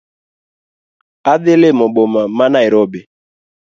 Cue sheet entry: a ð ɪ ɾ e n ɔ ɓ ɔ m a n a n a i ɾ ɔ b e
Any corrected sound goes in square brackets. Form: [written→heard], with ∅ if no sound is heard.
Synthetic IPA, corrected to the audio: a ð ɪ [ɾ→l] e [n→m] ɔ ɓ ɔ m a [n→m] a n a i ɾ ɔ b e